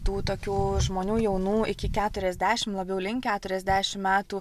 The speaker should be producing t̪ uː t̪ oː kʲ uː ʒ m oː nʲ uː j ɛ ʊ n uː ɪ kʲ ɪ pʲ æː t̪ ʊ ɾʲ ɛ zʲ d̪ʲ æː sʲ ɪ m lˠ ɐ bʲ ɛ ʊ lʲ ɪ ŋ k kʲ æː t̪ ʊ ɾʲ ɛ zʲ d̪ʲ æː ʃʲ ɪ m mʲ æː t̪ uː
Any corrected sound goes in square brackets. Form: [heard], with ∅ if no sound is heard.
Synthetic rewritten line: t̪ uː t̪ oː kʲ uː ʒ m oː nʲ uː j ɛ ʊ n uː ɪ kʲ ɪ [kʲ] æː t̪ ʊ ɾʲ ɛ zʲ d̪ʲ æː [ʃʲ] ɪ m lˠ ɐ bʲ ɛ ʊ lʲ ɪ ŋ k kʲ æː t̪ ʊ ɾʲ ɛ zʲ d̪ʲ æː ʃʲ ɪ m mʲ æː t̪ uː